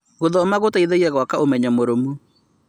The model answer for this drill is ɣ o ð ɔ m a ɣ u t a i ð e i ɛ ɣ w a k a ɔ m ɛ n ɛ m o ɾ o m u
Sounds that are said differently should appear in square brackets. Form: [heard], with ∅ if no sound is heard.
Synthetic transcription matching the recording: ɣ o ð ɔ m a ɣ [o] t a i ð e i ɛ ɣ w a k a [o] m ɛ [ɲ] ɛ m o ɾ o m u